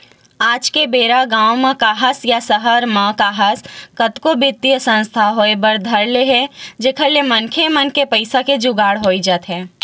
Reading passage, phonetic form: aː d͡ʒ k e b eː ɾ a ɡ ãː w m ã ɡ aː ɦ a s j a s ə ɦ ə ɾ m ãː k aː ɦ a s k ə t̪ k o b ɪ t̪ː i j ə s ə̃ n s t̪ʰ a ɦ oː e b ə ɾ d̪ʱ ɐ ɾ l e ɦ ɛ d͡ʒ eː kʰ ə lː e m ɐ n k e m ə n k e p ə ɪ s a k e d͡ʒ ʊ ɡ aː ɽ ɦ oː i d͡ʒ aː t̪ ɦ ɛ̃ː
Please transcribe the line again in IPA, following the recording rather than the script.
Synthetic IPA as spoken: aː d͡ʒ k e b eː ɾ a ɡ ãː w m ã k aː ɦ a s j a s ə ɦ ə ɾ m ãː k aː ɦ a s k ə t̪ k o b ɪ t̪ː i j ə s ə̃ n s t̪ʰ a ɦ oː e b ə ɾ d̪ʱ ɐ ɾ l e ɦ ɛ d͡ʒ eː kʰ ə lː e m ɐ n kʰ e m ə n k e p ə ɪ s a k e d͡ʒ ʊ ɡ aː ɽ ɦ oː i d͡ʒ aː t̪ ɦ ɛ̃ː